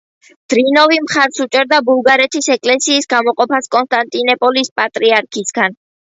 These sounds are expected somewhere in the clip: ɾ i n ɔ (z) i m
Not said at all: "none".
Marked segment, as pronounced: v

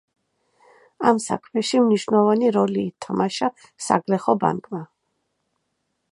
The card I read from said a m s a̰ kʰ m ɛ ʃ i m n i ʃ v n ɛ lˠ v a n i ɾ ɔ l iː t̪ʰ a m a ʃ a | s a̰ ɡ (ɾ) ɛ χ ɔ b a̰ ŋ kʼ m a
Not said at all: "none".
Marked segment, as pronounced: l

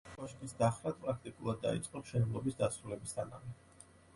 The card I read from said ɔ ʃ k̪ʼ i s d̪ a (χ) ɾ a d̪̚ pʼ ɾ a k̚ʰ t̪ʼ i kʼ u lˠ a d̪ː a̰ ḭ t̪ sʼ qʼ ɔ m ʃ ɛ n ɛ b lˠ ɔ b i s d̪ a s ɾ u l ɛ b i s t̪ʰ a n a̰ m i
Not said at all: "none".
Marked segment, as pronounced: χ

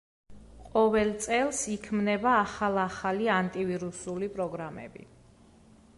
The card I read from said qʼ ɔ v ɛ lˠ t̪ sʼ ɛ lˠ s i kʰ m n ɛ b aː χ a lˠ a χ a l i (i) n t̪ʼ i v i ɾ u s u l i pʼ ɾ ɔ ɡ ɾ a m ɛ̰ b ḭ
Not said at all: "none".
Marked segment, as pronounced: a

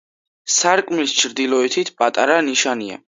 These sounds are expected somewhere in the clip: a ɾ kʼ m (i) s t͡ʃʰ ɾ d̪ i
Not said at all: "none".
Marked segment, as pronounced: i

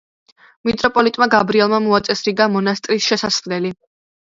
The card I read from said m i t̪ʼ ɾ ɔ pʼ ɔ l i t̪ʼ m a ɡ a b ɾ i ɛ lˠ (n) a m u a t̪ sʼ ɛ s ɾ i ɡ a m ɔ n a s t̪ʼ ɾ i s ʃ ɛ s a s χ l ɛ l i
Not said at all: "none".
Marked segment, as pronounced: m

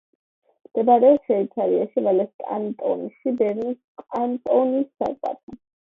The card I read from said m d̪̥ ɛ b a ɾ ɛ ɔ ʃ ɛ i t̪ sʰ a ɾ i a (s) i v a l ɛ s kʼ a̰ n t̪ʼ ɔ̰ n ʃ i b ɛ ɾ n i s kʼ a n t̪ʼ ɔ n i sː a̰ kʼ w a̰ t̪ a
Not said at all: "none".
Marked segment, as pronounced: ʃ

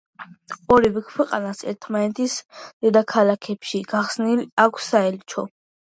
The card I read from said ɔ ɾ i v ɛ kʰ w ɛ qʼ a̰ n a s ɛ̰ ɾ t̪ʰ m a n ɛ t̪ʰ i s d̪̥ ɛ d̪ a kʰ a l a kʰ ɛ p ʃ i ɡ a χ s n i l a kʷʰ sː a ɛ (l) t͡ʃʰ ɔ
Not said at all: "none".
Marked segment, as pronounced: l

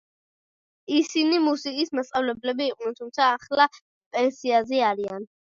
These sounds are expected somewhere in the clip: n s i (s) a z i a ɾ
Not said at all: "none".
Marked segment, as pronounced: none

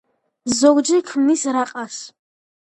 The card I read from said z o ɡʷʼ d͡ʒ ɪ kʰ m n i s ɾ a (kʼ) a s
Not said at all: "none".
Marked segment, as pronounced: qʼ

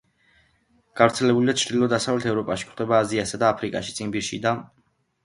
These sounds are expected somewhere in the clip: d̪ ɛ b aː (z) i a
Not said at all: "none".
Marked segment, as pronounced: z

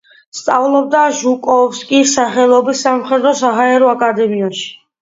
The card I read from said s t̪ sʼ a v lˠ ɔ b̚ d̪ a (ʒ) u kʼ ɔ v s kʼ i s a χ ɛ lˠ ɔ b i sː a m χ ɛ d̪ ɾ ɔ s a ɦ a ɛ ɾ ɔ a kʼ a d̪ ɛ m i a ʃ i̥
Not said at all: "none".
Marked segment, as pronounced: ʒ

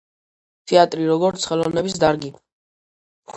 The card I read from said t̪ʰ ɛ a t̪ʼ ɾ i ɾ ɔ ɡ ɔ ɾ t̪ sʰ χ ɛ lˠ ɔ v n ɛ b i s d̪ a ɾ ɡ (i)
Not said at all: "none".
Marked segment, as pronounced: i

